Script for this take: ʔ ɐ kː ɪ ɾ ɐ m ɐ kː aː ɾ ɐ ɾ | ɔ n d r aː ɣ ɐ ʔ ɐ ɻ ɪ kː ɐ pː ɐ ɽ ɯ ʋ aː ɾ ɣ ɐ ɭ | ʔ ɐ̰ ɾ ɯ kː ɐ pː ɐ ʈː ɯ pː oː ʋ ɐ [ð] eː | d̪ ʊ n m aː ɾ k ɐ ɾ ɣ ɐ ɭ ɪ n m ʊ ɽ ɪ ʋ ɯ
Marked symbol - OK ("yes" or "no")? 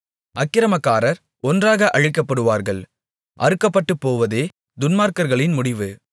yes